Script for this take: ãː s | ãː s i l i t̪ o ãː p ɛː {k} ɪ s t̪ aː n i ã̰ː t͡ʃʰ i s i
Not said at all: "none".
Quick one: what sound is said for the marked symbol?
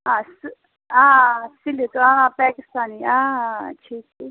k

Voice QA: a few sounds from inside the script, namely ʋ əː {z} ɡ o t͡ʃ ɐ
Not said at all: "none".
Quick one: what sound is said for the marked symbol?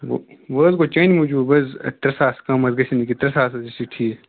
z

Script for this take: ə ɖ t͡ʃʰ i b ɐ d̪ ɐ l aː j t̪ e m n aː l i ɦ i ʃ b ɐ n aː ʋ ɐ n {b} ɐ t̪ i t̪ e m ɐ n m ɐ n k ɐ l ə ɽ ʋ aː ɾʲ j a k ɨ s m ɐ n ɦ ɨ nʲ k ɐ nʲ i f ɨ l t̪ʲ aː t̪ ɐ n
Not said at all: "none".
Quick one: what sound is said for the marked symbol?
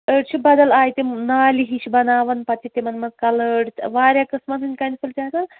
p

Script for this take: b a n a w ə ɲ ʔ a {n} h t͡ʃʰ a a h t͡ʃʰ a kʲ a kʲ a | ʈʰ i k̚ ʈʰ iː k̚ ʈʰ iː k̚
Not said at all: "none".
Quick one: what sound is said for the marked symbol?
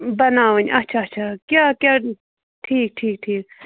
none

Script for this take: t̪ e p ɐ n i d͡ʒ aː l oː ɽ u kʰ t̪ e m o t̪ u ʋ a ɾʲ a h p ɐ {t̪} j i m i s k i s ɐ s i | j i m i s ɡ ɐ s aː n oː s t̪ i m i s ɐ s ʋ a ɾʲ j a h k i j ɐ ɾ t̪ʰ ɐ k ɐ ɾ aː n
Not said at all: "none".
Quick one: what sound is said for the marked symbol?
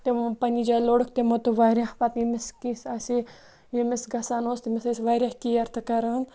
t̪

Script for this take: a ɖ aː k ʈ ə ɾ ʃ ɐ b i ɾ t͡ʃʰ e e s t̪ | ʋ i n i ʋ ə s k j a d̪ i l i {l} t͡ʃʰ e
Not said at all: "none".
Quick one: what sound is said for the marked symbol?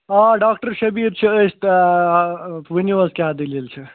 l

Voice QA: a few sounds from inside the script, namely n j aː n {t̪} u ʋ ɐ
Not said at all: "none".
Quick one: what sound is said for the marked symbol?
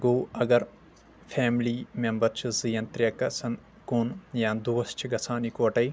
d̪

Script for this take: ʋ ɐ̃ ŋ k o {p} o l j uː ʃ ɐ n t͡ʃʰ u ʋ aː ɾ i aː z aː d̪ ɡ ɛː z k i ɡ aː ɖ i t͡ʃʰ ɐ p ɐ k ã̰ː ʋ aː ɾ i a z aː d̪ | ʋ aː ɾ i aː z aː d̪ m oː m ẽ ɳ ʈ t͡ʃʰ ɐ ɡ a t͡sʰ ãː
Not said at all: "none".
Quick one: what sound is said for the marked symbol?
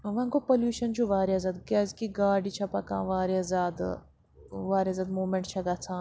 p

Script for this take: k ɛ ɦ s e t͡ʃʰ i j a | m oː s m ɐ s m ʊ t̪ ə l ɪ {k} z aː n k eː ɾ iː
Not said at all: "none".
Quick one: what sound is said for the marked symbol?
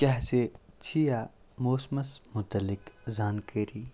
k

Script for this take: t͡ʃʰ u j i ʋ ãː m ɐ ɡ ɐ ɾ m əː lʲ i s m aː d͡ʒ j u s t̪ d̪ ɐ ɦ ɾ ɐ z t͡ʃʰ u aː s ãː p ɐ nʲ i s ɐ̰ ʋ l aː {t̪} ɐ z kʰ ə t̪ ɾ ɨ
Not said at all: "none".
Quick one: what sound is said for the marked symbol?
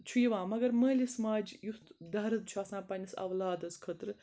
d̪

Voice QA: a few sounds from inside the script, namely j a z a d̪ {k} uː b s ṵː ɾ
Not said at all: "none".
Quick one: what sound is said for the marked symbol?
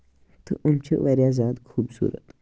kʰ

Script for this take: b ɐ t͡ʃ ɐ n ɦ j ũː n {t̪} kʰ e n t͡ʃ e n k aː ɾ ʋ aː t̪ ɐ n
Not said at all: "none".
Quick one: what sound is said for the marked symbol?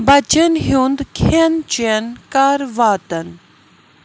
d̪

